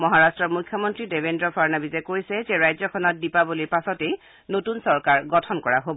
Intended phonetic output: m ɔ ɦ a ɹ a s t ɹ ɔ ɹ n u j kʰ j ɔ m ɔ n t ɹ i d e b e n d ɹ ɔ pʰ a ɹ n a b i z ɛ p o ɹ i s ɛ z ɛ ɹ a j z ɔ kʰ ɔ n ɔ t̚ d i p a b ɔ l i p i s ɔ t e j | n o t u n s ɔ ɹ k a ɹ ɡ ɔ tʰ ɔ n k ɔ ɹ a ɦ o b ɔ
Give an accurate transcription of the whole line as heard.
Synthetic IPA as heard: m ɔ ɦ a ɹ a s t ɹ ɔ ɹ m u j kʰ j ɔ m ɔ n t ɹ i d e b e n d ɹ ɔ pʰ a ɹ n a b i z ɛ k o ɹ i s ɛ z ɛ ɹ a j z ɔ kʰ ɔ n ɔ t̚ d i p a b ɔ l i p a s ɔ t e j | n o t u n s ɔ ɹ k a ɹ ɡ ɔ tʰ ɔ n k ɔ ɹ a ɦ o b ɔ